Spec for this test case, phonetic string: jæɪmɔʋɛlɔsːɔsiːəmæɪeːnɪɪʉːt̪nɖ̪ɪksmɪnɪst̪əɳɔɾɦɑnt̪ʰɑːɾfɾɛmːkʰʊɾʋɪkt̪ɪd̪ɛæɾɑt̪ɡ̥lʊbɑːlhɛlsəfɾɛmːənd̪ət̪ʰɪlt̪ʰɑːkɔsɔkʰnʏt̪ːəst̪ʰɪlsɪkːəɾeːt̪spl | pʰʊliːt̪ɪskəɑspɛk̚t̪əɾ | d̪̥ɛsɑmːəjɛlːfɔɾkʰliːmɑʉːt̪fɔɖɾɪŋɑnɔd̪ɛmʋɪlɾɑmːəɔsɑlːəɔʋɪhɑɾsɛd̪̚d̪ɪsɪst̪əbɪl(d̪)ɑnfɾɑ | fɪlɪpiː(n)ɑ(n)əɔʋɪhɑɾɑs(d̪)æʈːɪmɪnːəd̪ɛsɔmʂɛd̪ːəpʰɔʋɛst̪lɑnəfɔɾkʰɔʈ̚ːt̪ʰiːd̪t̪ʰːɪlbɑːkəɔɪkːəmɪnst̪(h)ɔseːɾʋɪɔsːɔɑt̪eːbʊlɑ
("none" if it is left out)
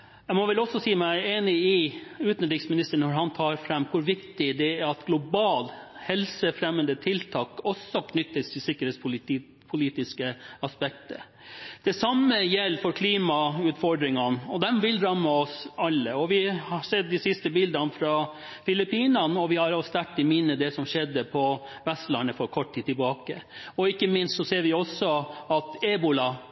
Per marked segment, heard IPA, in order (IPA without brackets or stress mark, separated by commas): d̪, n, n, t̪, s